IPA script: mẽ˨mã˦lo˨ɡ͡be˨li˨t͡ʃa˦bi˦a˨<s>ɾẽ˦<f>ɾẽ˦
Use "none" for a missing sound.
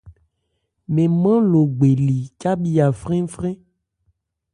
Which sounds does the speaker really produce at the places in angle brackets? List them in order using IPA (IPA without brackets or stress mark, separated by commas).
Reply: f, f